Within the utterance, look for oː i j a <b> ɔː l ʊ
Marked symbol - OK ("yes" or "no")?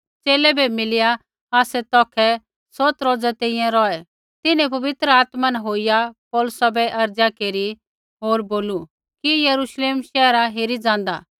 no